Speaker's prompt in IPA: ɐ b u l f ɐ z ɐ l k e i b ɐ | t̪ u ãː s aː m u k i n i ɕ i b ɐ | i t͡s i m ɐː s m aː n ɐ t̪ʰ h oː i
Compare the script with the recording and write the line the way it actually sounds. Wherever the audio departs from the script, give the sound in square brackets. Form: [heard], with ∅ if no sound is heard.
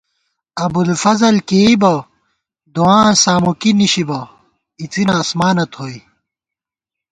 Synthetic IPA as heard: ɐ b u l f ɐ z ɐ l k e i b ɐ | [d̪] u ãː s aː m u k i n i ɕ i b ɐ | i t͡s i [n] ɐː s m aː n ɐ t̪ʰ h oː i